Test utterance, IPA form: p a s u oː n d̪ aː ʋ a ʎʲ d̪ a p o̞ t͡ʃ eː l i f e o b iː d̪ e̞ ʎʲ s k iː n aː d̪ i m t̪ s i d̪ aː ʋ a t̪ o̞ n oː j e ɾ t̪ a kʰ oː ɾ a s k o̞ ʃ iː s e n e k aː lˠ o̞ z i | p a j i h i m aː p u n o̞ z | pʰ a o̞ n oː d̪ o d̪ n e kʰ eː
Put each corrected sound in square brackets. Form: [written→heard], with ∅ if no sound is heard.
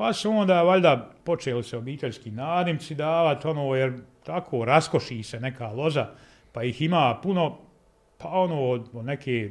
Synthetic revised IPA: p a s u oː n d̪ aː ʋ a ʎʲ d̪ a p o̞ t͡ʃ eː l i [f→s] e o b iː [d̪→t̪] e̞ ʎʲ s k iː n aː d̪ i m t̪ s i d̪ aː ʋ a t̪ o̞ n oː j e ɾ t̪ a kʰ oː ɾ a s k o̞ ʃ iː s e n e k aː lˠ o̞ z [i→a] | p a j i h i m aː p u n o̞ [z→∅] | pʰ a o̞ n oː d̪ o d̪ n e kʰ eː